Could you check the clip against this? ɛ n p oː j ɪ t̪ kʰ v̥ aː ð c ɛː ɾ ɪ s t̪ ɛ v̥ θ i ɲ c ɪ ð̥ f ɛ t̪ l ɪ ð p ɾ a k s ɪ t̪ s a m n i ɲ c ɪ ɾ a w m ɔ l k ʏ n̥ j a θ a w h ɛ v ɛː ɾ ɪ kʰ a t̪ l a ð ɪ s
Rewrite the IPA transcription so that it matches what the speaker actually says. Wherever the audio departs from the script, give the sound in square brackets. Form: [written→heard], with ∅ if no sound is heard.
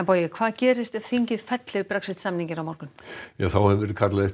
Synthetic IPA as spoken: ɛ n p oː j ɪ [t̪→∅] kʰ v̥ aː ð c ɛː ɾ ɪ s t̪ ɛ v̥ θ i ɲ c ɪ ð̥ f ɛ t̪ l ɪ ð p ɾ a k s ɪ t̪ s a m n i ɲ c ɪ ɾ a w m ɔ [l→ɾ] k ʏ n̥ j a θ a w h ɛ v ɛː ɾ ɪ kʰ a t̪ l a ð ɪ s